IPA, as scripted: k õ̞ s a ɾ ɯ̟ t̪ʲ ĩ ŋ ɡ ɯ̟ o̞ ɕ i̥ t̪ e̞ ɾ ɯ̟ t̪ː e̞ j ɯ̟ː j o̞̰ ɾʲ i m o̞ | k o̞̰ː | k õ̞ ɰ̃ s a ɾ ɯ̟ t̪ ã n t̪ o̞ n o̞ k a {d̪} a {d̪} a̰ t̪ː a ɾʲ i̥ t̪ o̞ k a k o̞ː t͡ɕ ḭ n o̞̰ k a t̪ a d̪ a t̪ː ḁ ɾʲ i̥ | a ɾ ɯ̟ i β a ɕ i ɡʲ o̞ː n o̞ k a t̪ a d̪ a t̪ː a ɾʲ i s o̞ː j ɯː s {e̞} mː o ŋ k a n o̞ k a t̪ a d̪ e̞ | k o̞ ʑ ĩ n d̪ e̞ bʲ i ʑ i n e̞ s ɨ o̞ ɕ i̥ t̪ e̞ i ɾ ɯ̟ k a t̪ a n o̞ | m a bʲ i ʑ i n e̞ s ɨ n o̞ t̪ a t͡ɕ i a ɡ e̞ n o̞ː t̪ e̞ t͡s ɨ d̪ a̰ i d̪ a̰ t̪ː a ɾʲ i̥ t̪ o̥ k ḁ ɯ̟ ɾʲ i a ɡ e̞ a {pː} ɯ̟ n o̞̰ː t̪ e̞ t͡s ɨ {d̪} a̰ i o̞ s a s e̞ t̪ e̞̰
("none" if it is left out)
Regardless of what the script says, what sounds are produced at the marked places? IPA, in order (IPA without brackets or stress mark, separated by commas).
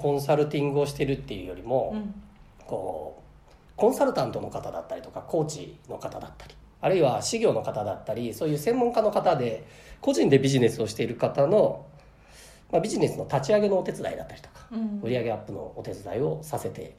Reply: t̪, d̪, ẽ̞, pː, d̪